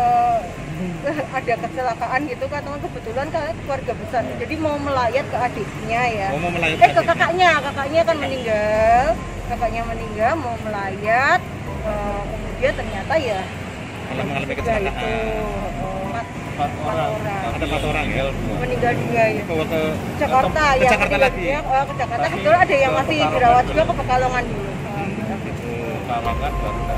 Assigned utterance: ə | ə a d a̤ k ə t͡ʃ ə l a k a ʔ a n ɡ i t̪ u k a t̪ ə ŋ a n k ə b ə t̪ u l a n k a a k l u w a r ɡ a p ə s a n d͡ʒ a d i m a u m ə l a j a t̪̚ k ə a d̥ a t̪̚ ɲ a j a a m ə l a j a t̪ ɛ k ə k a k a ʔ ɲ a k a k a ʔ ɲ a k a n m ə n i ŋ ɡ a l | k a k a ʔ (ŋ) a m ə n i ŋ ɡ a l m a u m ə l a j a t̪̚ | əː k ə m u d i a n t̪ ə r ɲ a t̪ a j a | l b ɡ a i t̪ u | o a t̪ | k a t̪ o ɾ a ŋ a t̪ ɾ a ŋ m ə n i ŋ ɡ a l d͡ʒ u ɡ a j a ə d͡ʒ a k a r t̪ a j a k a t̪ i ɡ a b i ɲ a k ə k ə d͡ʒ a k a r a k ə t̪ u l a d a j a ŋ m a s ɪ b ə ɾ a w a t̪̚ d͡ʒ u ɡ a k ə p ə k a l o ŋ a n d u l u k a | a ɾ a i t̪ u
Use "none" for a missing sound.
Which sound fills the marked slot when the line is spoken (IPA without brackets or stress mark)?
ɲ